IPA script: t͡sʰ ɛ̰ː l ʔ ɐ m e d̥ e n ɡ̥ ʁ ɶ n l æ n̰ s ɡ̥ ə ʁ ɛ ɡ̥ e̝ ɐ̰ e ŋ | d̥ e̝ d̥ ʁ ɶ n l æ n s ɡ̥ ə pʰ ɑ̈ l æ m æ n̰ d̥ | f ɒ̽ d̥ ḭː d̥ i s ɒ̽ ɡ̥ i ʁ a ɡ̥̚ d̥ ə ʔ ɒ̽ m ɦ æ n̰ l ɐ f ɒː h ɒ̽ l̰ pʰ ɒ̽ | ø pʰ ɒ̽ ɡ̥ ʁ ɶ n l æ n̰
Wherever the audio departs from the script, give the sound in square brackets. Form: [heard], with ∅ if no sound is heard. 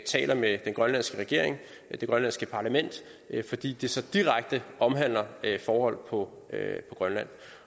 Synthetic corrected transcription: t͡sʰ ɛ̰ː l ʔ ɐ m e d̥ e n ɡ̥ ʁ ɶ n l æ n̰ s ɡ̥ ə ʁ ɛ ɡ̥ e̝ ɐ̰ e ŋ | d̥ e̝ [ɡ̥] ʁ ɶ n l æ n s ɡ̥ ə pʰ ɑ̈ l æ m [e] n̰ d̥ | f ɒ̽ d̥ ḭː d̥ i s ɒ̽ [d̥] i ʁ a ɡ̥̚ d̥ ə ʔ ɒ̽ m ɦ æ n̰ l ɐ f ɒː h ɒ̽ l̰ pʰ ɒ̽ | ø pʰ ɒ̽ ɡ̥ ʁ ɶ n l æ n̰